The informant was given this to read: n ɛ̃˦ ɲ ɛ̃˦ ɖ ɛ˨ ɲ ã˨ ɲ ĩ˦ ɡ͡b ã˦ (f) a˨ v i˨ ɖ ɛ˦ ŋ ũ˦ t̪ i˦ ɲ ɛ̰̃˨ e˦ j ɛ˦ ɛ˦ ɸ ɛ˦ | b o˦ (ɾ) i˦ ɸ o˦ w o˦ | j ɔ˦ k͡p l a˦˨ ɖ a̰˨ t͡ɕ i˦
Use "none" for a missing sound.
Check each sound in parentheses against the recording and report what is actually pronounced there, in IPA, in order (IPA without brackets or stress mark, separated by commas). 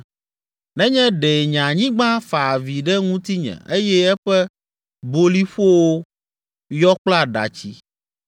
f, l